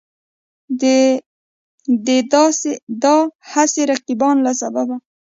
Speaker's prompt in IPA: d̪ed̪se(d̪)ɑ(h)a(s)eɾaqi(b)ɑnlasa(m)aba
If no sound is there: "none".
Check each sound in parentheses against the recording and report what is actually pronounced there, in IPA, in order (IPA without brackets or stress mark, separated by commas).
d̪, h, s, b, b